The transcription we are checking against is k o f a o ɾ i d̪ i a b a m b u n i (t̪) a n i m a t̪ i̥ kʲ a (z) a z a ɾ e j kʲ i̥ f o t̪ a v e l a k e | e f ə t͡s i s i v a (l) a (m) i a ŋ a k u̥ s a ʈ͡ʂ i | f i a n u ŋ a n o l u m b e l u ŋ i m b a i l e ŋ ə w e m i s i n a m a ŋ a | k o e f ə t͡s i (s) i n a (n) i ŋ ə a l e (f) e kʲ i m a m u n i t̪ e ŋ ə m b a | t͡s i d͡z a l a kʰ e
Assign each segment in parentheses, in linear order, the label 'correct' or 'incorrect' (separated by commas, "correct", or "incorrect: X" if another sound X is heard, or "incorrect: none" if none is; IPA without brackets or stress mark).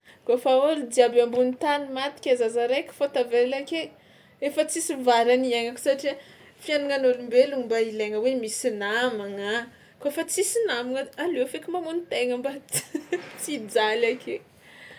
correct, correct, incorrect: ɾ, incorrect: n, correct, incorrect: m, correct